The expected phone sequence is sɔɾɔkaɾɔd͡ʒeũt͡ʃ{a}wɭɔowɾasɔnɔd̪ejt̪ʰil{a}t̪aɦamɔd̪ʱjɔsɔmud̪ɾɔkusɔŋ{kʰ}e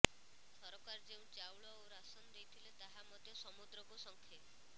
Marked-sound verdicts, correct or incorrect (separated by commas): correct, incorrect, correct